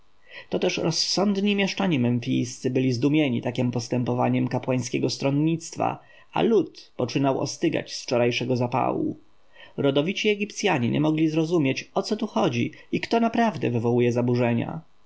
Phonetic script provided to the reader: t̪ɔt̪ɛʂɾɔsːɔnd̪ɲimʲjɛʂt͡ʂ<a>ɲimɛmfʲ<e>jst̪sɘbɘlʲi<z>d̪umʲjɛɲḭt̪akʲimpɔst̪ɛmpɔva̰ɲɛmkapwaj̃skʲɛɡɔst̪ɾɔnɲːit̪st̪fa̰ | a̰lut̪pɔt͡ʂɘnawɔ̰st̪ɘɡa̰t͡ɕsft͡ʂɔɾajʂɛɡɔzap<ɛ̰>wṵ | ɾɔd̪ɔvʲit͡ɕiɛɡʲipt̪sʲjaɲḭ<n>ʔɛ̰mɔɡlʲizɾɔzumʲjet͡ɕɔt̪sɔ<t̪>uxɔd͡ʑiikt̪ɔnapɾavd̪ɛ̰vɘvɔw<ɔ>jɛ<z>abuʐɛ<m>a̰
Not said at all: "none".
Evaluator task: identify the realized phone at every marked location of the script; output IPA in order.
a, i, z, a̰, ɲ, t̪, u, z, ɲ

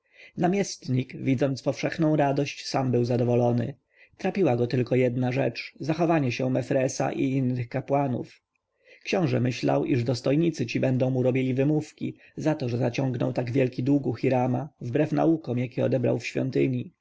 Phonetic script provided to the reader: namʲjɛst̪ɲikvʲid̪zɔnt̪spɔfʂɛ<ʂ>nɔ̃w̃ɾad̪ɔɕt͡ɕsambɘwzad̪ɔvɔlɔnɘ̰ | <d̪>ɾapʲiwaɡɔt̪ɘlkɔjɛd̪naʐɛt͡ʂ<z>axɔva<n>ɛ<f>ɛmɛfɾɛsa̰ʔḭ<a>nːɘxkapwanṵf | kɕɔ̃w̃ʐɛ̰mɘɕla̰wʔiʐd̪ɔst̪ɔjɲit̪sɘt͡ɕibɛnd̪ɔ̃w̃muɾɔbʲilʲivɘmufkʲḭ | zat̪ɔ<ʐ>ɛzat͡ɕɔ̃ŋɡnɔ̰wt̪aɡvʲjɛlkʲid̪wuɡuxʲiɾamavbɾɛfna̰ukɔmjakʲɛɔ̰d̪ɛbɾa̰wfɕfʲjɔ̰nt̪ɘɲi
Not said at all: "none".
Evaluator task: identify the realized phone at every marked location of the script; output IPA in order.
x, t̪, z, ɲ, ɕ, i, ʐ

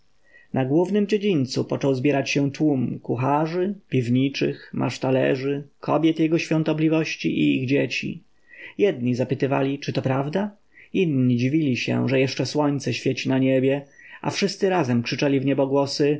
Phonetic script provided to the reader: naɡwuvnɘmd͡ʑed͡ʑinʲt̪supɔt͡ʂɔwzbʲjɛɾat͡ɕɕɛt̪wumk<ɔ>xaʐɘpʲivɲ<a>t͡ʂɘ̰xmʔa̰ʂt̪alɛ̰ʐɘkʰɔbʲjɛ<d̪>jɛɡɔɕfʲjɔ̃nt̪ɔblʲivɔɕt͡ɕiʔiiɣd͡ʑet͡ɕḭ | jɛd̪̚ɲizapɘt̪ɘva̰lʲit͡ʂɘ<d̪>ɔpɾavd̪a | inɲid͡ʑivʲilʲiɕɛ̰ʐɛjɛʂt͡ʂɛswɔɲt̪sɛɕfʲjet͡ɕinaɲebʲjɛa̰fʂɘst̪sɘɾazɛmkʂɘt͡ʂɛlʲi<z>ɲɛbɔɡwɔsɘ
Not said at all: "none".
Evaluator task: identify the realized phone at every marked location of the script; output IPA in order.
u, i, t̪, t̪, v

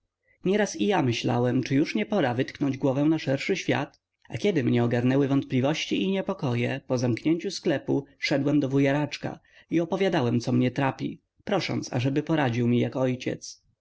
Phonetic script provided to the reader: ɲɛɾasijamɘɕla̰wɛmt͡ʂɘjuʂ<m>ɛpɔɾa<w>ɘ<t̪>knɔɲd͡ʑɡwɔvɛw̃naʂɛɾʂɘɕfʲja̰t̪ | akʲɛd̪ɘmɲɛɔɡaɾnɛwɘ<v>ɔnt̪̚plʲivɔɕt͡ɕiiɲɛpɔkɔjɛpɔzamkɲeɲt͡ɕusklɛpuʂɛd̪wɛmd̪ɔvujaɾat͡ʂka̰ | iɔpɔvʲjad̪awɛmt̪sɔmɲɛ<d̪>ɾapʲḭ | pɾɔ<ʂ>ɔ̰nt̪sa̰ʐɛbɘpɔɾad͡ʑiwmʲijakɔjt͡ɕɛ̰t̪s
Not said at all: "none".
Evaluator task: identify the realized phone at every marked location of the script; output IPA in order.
ɲ, v, t̪, v, t̪, ʂ

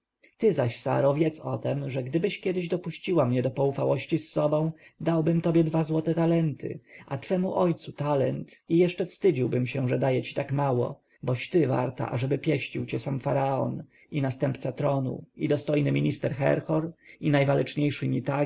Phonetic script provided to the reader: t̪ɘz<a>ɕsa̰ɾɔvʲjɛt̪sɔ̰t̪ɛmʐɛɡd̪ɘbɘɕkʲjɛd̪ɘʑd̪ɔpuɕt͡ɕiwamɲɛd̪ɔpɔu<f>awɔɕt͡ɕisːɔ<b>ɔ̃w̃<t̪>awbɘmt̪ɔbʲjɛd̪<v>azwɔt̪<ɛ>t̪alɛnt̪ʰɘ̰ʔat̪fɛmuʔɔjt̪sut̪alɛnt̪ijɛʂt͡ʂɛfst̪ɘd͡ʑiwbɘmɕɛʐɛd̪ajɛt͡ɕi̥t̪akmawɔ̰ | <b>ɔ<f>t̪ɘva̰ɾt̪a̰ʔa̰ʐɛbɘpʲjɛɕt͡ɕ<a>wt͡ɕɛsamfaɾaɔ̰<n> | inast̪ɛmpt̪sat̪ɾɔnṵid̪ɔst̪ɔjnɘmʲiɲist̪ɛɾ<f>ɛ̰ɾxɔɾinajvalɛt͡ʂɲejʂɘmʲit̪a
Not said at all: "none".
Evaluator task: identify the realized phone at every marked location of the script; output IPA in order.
a, f, b, d̪, v, ɛ, b, ɕ, i, n, x

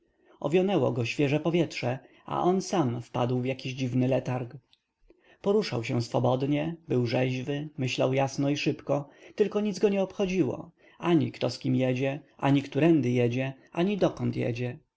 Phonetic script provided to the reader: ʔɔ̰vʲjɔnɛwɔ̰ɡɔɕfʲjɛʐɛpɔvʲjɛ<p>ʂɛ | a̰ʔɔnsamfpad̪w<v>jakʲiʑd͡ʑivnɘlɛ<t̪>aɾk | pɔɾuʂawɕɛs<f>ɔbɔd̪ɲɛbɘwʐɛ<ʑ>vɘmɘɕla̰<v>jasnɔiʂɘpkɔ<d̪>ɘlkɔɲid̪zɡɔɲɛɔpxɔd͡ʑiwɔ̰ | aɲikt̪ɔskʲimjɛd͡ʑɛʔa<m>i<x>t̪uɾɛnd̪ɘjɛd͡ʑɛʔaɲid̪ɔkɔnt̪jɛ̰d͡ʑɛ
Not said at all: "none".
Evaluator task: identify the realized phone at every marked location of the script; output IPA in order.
t, v, t̪, f, ʑ, w, t̪, ɲ, k

